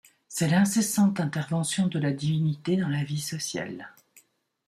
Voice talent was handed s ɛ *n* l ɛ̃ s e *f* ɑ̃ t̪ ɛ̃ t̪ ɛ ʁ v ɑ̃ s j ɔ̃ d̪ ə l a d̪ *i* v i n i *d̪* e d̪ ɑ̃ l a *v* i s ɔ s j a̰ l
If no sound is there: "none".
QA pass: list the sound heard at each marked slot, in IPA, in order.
none, s, i, t̪, v

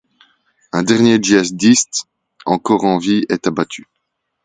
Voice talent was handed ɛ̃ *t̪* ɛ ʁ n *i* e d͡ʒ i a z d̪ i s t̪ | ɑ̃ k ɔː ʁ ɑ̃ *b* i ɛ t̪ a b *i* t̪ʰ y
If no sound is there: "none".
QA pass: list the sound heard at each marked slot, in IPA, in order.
d̪, j, v, a

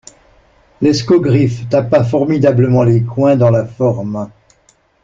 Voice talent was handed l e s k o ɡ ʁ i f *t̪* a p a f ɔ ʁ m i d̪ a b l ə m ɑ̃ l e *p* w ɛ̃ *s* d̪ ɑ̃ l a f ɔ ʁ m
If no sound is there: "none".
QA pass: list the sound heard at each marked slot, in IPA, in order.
t̪, k, none

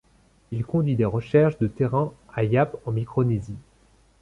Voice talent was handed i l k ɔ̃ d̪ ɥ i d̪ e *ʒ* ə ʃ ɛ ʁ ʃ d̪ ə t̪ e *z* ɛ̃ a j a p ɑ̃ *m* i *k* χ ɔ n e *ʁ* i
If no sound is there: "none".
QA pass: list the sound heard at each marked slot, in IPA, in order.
ʁ, ʁ, m, k, z

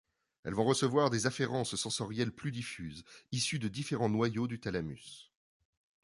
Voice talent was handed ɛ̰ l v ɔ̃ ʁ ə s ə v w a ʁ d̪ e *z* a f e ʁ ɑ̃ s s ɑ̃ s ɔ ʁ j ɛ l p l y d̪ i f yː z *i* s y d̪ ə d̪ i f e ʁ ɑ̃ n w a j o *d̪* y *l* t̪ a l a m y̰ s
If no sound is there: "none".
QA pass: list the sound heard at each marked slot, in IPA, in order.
z, i, d̪, none

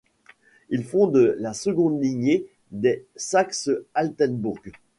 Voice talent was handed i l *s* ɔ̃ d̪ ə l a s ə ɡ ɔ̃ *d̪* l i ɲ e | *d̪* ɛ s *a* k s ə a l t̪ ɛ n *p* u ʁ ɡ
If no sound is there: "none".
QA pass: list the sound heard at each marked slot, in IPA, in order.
f, d̪, d̪, a, b

